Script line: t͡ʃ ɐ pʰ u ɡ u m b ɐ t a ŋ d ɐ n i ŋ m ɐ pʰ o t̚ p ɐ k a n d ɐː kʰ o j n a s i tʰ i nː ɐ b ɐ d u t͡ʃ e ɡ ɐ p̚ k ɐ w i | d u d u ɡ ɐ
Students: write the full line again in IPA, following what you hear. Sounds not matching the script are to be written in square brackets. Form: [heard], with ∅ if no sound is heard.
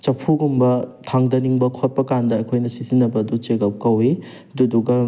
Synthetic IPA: t͡ʃ ɐ pʰ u ɡ u m b ɐ [tʰ] a ŋ d ɐ n i ŋ [b] ɐ [kʰ] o t̚ p ɐ k a n d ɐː kʰ o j n [ɐ] s i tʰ i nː ɐ b ɐ d u t͡ʃ e ɡ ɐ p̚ k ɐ w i | d u d u ɡ ɐ